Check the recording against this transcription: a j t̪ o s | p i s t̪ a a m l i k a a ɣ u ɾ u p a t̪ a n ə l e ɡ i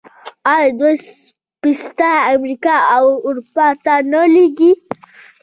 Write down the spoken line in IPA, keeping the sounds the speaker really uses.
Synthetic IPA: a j d̪ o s | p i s t̪ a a m ɾ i k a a w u ɾ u p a t̪ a n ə l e ɡ i